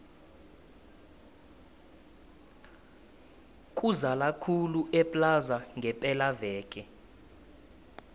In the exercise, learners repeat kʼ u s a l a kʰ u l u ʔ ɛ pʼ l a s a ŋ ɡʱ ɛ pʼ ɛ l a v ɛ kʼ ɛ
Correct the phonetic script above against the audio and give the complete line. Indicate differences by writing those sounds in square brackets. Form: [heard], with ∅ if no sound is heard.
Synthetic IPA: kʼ u [z] a l a kʰ u l u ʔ ɛ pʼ l a [z] a ŋ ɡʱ ɛ pʼ ɛ l a v [ɛː] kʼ ɛ